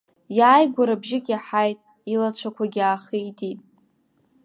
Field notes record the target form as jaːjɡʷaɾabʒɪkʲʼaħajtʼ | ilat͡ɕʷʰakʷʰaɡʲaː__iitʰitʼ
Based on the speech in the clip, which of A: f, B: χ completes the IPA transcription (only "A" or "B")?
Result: B